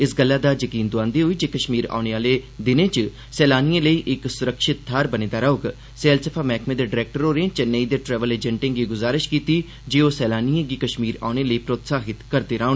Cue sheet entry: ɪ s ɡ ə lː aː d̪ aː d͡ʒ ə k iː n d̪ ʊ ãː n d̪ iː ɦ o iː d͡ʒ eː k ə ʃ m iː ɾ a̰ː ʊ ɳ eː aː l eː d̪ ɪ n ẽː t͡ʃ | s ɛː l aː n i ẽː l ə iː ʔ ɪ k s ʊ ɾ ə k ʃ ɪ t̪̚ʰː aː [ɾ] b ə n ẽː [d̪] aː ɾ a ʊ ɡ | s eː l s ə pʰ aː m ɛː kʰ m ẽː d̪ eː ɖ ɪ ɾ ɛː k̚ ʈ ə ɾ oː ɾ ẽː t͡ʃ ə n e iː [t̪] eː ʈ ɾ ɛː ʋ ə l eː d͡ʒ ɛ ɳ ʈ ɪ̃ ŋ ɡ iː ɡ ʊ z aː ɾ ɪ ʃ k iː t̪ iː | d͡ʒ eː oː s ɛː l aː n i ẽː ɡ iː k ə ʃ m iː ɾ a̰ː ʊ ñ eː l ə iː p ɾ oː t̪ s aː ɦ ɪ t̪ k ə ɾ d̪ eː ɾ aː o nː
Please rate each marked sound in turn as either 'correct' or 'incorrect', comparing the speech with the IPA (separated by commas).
correct, correct, incorrect